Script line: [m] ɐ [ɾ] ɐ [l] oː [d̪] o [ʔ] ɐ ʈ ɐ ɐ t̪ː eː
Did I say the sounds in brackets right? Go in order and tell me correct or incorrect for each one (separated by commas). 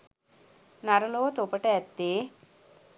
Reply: incorrect, correct, correct, incorrect, incorrect